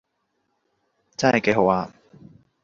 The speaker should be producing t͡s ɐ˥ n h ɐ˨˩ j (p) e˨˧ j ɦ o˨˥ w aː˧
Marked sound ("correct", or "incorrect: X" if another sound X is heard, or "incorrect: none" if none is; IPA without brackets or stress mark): incorrect: k